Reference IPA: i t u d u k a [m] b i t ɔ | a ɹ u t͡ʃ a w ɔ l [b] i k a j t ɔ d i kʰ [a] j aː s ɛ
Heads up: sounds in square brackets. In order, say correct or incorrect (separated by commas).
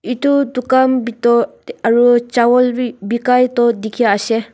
correct, correct, incorrect